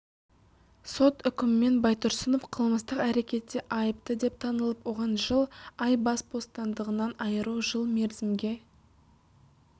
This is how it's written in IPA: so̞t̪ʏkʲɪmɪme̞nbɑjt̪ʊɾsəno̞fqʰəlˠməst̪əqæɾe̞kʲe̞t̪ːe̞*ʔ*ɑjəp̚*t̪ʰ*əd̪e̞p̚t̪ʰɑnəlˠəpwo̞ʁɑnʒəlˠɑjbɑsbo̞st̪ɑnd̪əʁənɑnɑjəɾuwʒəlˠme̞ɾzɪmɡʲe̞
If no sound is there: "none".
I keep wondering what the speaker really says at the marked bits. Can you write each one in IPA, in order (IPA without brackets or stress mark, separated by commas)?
ʔ, t̪